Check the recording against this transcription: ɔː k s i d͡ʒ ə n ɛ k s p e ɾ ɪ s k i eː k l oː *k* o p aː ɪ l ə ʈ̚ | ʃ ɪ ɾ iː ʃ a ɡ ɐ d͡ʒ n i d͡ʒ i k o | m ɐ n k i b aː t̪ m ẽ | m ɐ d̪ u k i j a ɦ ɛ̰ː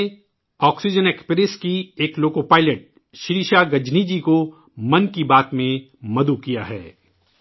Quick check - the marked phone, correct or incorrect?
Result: correct